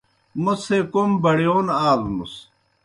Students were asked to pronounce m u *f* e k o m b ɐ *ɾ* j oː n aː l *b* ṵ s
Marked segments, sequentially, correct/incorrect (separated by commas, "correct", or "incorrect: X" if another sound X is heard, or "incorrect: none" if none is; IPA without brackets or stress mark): incorrect: s, incorrect: ɽ, incorrect: m